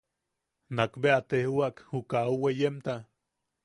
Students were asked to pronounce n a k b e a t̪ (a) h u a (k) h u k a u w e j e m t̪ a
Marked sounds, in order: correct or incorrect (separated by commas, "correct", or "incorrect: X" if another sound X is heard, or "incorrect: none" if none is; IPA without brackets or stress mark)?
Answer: incorrect: e, correct